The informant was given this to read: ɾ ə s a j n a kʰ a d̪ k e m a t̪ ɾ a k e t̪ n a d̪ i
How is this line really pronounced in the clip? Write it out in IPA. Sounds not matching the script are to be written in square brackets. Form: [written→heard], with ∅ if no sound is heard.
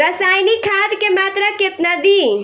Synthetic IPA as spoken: ɾ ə s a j n [a→i] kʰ a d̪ k e m a t̪ ɾ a k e t̪ n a d̪ i